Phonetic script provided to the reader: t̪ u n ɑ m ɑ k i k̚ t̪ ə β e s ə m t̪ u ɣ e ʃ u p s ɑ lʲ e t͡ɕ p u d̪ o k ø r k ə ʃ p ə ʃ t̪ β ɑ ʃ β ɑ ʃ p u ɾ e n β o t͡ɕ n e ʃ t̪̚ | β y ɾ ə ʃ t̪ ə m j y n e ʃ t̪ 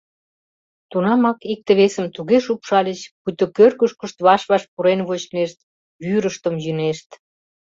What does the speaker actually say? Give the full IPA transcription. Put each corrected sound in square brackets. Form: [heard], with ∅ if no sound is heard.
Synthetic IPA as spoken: t̪ u n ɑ m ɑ k i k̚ t̪ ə β e s ə m t̪ u ɣ e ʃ u p [ʃ] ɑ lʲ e t͡ɕ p u [t̪] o k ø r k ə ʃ [k] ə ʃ t̪ β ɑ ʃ β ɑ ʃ p u ɾ e n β o t͡ɕ n e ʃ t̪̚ | β y ɾ ə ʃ t̪ ə m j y n e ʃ t̪